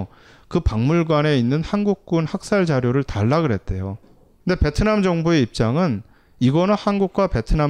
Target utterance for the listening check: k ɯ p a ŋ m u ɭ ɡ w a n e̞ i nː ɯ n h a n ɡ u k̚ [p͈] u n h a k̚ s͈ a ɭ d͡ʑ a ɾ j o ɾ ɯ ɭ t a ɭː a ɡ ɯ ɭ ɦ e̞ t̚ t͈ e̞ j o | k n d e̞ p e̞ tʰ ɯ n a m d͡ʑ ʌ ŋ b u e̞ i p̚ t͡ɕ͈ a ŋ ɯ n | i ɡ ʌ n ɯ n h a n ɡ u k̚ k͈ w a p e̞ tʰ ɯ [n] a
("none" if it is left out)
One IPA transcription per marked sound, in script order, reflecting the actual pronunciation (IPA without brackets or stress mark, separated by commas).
k͈, n